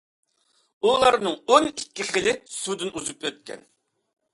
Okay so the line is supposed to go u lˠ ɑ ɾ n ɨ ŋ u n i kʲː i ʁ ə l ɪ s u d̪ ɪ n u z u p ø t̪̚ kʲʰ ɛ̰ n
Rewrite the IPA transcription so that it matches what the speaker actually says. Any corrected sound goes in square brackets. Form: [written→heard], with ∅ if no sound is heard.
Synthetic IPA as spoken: u lˠ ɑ ɾ n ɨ ŋ [u→o] n i kʲː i [ʁ→χ] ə l ɪ s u d̪ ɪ n u z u p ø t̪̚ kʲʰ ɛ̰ n